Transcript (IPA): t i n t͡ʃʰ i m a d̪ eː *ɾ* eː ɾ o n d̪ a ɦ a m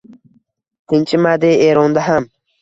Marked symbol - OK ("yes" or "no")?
no